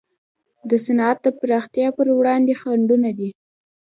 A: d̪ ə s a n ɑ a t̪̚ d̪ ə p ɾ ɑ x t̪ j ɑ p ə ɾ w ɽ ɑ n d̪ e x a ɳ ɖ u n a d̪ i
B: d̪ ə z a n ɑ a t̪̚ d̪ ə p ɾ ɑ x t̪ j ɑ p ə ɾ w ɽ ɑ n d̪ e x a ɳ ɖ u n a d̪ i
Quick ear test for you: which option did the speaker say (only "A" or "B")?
A